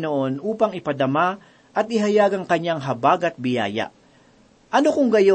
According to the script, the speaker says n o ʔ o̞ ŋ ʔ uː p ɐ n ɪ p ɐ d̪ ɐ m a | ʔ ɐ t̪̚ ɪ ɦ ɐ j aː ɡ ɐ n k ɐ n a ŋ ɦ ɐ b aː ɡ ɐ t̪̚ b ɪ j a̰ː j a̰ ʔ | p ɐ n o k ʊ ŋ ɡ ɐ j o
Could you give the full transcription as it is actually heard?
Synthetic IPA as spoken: n o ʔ o̞ n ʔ uː p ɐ ŋ ɪ p ɐ d̪ ɐ m a | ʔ ɐ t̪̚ ɪ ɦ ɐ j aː ɡ ɐ ŋ k ɐ ɲ a ŋ ɦ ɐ b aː ɡ ɐ t̪̚ b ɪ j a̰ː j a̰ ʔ | ʔ ɐ n o k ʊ ŋ ɡ ɐ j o